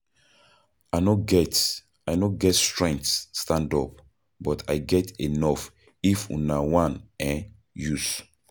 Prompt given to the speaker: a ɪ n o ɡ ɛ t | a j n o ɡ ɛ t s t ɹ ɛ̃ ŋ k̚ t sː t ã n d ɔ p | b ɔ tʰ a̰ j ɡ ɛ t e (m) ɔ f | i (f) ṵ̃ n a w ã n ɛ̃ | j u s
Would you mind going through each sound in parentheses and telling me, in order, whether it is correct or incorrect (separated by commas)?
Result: incorrect, correct